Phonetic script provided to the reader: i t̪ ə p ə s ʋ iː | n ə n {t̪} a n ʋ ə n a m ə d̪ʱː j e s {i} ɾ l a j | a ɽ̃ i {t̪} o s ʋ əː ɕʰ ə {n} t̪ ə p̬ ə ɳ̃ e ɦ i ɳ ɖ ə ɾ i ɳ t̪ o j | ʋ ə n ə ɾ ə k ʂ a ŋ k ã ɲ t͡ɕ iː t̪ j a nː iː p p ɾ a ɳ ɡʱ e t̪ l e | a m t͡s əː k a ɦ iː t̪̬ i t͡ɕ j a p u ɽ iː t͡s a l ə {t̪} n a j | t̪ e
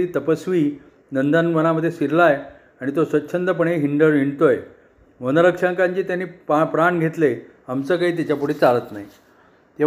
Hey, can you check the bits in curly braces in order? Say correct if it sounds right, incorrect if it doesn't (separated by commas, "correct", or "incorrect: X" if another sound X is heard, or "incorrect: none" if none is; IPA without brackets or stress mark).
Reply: incorrect: d̪, correct, correct, correct, correct